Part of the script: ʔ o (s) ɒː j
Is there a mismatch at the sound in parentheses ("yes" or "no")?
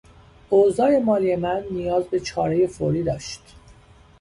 yes